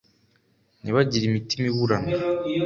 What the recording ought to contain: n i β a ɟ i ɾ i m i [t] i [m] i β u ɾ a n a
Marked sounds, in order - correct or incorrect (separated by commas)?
correct, correct